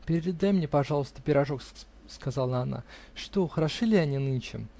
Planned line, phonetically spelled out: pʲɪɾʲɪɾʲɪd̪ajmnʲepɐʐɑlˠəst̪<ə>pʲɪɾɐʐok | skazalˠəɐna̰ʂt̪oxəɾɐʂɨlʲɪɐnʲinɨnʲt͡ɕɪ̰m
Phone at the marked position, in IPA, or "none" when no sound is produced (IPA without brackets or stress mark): ə